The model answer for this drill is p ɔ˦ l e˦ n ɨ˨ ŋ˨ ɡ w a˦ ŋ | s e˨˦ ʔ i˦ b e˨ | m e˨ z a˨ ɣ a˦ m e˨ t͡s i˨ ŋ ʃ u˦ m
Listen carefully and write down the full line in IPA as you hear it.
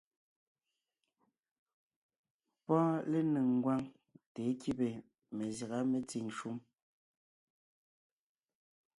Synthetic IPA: p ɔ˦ l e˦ n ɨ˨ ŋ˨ ɡ w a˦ ŋ | t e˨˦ k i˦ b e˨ | m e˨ z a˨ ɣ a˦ m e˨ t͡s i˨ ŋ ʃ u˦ m

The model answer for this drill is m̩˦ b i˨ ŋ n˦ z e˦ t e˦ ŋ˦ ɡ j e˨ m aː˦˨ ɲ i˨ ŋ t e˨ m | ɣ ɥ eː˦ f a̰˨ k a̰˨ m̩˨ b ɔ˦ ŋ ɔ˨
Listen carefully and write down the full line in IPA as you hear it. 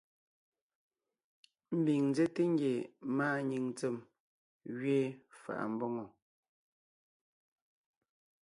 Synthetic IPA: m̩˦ b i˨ ŋ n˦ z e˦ t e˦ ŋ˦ ɡ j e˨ m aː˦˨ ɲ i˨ ŋ t͡s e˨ m | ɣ ɥ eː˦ f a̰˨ ʔ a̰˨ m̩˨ b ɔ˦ ŋ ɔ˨

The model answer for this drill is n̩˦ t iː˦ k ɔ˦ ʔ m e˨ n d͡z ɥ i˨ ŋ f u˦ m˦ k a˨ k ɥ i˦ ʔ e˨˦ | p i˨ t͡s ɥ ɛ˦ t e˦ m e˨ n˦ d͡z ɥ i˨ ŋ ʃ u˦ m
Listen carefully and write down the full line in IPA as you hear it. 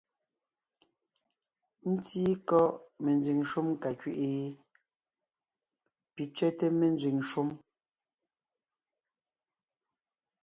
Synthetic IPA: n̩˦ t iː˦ k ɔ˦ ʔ m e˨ n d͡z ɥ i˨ ŋ ʃ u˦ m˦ k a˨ k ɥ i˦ ʔ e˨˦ | p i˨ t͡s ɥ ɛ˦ t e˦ m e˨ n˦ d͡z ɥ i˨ ŋ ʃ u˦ m

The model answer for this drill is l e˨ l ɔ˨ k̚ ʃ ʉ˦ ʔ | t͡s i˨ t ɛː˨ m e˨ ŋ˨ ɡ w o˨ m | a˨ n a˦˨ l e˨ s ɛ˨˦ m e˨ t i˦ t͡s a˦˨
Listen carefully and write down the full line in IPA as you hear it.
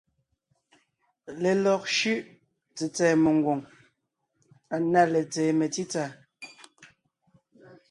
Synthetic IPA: l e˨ l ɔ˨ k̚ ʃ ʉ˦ ʔ | t͡s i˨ t͡s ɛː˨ m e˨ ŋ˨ ɡ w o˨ ŋ | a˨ n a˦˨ l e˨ t͡s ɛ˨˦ m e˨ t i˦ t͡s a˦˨

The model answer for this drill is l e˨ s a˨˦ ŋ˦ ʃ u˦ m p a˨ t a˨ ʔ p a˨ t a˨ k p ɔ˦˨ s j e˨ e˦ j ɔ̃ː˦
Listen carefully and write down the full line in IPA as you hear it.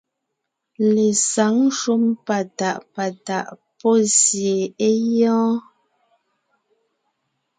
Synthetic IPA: l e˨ s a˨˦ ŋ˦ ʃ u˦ m p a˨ t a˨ ʔ p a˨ t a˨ ʔ p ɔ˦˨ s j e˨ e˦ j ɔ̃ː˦

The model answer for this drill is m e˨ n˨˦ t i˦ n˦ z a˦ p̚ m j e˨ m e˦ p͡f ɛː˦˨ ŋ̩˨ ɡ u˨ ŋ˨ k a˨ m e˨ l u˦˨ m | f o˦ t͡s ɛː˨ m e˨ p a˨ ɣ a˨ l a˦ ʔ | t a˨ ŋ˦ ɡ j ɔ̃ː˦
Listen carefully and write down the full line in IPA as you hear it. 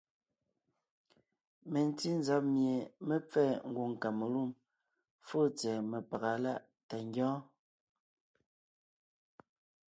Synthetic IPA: m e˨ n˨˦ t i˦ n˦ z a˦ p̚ m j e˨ m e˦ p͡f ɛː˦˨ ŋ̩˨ ɡ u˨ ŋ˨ k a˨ m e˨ l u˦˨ m | f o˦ t͡s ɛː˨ m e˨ p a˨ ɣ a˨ l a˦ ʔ | t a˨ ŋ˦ ɡ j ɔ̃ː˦

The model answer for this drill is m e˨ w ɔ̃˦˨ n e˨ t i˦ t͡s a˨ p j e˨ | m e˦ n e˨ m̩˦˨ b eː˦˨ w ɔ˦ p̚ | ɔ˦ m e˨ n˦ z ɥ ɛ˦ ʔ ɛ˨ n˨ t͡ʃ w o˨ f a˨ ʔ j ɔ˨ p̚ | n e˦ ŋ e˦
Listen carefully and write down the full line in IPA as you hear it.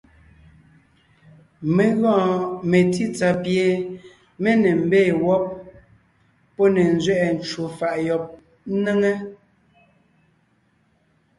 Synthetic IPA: m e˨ ɣ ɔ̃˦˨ m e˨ t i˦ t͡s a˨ p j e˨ | m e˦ n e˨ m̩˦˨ b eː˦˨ w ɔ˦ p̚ | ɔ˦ n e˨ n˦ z ɥ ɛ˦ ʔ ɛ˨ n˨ t͡ʃ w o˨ f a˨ ʔ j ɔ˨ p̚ | n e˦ ŋ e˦

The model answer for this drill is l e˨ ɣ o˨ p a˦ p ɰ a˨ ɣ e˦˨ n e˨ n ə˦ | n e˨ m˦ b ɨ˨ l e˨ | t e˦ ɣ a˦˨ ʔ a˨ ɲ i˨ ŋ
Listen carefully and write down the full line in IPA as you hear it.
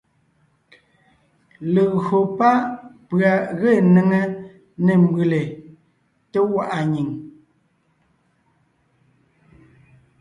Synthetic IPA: l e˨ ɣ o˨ p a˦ p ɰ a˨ ɣ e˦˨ n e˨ ŋ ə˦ | n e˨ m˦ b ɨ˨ l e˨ | t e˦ w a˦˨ ʔ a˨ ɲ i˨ ŋ

